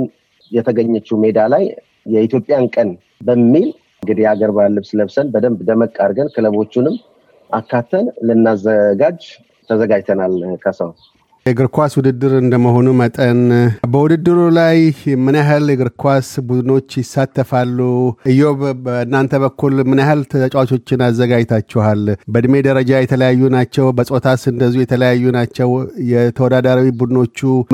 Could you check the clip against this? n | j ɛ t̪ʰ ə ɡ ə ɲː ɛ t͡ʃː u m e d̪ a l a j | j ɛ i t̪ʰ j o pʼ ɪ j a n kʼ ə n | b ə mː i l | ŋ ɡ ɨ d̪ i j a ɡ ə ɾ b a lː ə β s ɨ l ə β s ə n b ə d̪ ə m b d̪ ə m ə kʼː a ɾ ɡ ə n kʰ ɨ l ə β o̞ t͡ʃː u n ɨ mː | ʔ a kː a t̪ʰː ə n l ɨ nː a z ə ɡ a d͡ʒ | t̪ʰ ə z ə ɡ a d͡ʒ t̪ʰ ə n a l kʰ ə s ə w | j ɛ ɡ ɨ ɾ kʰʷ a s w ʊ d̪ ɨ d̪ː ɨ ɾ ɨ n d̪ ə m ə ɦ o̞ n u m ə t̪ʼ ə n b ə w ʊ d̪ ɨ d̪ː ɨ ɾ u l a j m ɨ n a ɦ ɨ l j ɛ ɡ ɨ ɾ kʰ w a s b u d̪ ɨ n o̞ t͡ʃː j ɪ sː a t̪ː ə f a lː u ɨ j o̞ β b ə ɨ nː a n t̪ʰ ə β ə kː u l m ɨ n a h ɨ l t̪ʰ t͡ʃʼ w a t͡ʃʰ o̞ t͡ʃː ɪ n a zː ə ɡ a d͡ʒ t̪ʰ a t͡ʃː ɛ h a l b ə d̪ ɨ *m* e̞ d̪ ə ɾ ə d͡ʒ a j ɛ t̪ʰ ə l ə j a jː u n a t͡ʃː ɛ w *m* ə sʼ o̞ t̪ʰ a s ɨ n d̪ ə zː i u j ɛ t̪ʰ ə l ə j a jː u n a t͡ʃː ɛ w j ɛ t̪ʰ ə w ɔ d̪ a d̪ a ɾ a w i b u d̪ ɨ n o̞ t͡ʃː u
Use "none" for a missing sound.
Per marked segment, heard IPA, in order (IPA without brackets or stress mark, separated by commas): m, b